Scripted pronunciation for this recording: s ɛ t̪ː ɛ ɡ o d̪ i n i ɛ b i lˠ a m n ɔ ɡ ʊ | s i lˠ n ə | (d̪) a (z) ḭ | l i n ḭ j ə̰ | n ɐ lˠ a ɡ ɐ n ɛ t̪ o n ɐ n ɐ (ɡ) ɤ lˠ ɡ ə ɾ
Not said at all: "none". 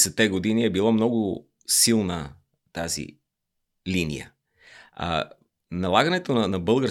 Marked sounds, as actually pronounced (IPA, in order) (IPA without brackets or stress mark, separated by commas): t̪, z, b